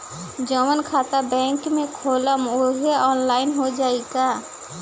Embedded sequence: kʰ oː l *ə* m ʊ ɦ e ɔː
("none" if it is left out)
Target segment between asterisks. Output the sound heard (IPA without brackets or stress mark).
ə